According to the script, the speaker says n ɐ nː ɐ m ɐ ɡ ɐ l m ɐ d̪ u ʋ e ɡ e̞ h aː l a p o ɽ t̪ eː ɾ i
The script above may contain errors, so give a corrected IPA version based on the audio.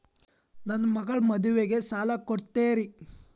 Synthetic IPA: n ɐ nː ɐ m ɐ ɡ ɐ ɭ m ɐ d̪ u ʋ e ɡ e̞ s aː l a k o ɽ t̪ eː ɾ i